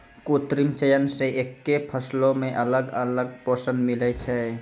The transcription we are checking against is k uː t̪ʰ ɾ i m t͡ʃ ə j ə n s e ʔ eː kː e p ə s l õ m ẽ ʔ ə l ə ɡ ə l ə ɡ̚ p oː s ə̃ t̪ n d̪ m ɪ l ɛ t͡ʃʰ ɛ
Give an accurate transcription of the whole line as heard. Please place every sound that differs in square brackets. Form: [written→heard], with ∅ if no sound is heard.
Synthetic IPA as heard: k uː [t̪ʰ→t̪] ɾ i m t͡ʃ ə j ə n s e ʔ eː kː e [p→pʰ] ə s l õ m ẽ ʔ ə l ə ɡ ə l ə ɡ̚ p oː s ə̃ [t̪→∅] n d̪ m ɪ l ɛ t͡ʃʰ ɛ